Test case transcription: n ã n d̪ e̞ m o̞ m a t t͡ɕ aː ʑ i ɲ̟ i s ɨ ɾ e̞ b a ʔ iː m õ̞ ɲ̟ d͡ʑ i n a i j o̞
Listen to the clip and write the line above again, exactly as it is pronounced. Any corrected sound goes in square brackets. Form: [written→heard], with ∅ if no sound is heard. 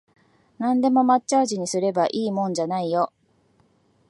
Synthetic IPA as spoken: n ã n d̪ e̞ m o̞ m a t t͡ɕ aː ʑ i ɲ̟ i s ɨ ɾ e̞ b a ʔ iː m õ̞ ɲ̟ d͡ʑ [i→a] n a i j o̞